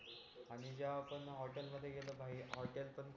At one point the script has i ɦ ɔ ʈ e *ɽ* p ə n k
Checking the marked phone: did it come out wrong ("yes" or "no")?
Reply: yes